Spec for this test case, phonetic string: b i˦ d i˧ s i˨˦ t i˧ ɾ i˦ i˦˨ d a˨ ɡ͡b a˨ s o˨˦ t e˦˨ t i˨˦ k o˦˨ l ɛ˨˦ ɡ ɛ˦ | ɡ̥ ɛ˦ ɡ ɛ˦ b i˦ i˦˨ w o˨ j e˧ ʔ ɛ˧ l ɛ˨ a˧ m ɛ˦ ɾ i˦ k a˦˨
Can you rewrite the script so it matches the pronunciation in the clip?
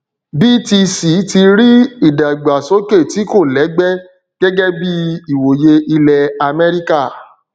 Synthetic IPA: b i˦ t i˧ s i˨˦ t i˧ ɾ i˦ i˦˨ d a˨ ɡ͡b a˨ s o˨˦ k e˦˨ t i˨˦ k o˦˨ l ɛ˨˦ ɡ͡b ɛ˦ | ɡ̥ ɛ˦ ɡ ɛ˦ b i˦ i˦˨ w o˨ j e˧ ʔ i˧ l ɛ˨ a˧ m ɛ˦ ɾ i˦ k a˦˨

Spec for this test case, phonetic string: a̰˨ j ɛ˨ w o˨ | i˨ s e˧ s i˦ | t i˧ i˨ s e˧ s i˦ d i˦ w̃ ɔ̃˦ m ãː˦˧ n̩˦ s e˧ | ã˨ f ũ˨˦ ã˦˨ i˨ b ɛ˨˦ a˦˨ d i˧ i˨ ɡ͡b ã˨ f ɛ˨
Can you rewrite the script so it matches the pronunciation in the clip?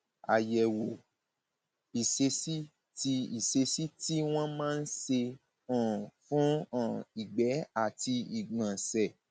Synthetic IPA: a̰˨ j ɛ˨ w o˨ | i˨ s e˧ s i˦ | t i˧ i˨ s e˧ s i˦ t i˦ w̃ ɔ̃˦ m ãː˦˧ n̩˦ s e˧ | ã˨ f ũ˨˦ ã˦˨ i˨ ɡ͡b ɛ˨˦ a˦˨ t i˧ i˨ ɡ͡b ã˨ s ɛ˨

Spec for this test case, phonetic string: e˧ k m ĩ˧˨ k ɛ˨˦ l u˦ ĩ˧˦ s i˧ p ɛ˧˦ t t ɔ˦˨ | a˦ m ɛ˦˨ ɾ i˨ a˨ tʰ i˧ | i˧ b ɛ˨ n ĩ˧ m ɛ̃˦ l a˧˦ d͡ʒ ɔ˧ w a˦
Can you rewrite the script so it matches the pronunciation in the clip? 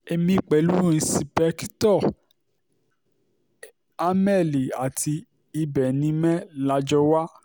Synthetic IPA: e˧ m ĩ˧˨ k͡p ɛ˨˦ l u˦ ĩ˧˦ s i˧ p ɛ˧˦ k t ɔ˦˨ | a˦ m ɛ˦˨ l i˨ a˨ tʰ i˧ | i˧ b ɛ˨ n ĩ˧ m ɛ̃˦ l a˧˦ d͡ʒ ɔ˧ w a˦

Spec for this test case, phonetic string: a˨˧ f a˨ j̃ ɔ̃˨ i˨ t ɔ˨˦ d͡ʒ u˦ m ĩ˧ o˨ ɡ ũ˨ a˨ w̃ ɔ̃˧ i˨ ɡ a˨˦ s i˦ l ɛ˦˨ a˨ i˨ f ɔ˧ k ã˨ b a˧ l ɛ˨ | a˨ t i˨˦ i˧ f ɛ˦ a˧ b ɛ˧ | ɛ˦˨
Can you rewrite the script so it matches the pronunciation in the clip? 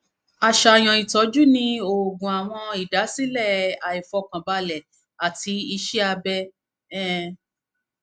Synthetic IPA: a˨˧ ʃ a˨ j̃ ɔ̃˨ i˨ t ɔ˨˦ d͡ʒ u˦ n ĩ˧ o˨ ɡ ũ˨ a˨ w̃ ɔ̃˧ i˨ d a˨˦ s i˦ l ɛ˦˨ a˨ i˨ f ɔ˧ k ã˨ b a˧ l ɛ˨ | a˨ t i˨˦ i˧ ʃ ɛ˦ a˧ b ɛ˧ | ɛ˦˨

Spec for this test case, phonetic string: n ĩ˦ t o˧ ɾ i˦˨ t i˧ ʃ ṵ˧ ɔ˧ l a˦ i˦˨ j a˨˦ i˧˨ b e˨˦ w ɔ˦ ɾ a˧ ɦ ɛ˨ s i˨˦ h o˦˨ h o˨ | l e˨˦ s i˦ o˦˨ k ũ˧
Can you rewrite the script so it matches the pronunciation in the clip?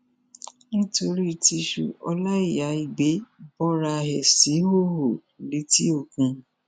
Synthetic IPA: n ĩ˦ t o˧ ɾ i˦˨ t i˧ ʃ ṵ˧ ɔ˧ l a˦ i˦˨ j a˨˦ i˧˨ ɡ͡b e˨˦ b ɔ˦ ɾ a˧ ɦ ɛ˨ s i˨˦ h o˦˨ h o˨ | l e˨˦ t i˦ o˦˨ k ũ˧

